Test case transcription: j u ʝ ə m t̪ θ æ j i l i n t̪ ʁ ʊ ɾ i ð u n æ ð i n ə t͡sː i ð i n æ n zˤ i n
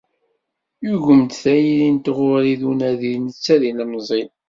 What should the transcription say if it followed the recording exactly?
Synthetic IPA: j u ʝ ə m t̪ θ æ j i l i n t̪ ʁ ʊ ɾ i ð u n æ ð i n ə t͡sː æ ð i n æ m zˤ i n

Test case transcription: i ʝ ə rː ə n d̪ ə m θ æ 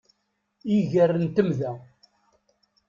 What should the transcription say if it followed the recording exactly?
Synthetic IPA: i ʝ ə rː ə n t̪ ə m ð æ

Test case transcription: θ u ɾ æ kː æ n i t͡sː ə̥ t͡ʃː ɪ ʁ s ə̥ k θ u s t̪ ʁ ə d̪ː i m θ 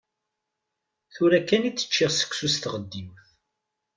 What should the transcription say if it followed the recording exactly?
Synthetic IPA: θ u ɾ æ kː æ n i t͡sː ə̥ t͡ʃː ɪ ʁ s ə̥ k s u s t̪ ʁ ə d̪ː i m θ

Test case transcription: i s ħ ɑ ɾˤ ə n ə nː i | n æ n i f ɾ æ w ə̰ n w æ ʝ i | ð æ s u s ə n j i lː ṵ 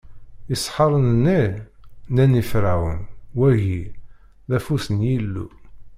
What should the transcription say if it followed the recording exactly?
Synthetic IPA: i s ħ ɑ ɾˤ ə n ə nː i | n æ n i f ɾ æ w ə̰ n w æ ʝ i | ð æ f u s ə n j i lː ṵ

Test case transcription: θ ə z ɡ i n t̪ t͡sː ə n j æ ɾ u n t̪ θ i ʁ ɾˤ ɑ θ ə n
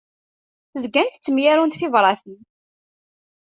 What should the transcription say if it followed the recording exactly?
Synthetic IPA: θ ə z ɡ æ n t̪ t͡sː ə m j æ ɾ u n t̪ θ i v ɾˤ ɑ θ ə n

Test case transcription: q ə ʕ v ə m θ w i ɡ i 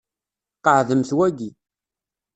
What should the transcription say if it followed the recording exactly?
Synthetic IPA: q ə ʕ ð ə m θ w æ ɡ i

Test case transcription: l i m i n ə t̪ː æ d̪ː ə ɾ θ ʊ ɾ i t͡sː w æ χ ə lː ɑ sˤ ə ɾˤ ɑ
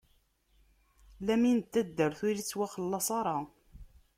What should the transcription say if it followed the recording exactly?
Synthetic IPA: l æ m i n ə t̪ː æ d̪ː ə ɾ θ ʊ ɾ i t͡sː w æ χ ə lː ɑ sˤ ɑ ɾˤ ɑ

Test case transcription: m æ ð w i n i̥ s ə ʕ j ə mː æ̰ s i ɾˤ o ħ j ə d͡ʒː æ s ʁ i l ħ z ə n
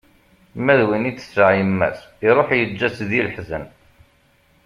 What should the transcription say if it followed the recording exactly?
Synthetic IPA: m æ ð w i n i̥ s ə ʕ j ə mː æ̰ s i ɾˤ o ħ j ə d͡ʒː æ s ð i l ħ z ə n

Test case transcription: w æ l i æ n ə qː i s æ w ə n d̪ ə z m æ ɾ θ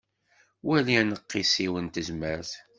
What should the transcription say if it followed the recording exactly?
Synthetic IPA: w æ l i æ n ə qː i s i w ə n t̪ ə z m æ ɾ θ

